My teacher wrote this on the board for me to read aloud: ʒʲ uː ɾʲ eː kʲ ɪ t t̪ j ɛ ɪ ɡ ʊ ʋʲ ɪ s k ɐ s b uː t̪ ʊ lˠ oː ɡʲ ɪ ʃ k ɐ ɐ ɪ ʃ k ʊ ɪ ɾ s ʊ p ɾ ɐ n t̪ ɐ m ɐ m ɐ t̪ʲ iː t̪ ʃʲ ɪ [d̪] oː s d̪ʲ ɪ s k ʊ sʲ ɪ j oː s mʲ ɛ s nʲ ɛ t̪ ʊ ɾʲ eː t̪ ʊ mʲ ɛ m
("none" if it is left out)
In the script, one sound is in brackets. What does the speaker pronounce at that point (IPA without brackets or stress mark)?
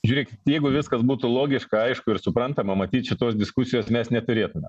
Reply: t̪